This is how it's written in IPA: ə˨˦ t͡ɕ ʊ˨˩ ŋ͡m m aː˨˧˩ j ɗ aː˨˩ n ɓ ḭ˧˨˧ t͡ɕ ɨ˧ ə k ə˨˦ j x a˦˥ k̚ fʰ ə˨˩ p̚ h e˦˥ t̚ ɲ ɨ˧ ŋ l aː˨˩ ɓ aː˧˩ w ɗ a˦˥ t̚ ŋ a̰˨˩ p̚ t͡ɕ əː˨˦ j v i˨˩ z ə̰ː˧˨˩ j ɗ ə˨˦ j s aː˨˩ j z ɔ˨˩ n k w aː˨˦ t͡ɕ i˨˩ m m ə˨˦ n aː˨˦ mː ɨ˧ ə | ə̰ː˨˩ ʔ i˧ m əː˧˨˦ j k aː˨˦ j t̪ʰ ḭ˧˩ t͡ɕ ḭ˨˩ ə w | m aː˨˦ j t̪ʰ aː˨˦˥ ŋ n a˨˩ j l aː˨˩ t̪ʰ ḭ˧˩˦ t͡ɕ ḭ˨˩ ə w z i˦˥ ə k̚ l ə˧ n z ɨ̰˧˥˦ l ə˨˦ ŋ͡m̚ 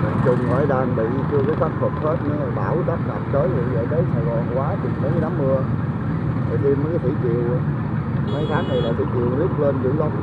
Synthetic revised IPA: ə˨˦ t͡ɕ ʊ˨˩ ŋ͡m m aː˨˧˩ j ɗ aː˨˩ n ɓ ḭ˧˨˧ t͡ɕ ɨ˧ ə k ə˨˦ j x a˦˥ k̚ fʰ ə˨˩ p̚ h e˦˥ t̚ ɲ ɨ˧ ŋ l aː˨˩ ɓ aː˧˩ w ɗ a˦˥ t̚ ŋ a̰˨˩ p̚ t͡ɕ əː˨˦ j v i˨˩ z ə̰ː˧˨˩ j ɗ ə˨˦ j s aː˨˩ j ɣ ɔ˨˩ n k w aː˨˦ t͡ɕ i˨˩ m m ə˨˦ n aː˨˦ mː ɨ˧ ə | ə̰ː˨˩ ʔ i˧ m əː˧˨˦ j k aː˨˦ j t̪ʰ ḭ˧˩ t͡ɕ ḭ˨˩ ə w | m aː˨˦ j t̪ʰ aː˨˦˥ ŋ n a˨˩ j l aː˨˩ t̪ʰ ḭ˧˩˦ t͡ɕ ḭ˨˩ ə w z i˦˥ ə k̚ l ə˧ n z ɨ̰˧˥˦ l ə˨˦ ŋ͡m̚